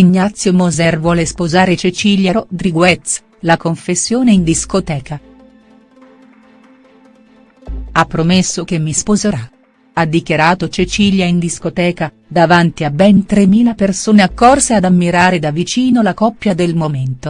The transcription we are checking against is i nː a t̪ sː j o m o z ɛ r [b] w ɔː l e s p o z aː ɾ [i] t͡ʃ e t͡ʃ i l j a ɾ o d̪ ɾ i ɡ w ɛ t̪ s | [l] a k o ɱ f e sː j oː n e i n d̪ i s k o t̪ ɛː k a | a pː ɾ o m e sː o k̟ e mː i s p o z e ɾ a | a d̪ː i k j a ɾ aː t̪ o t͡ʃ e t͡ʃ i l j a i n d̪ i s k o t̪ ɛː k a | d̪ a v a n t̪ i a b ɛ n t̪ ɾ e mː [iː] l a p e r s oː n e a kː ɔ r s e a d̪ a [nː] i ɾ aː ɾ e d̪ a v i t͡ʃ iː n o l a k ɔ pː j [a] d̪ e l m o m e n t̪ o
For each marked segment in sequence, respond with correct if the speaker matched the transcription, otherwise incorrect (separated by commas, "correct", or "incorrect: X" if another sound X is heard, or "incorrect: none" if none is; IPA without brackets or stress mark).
incorrect: v, incorrect: e, correct, correct, incorrect: mː, correct